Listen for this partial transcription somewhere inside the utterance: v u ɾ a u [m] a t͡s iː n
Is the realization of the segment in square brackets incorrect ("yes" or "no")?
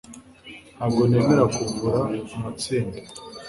no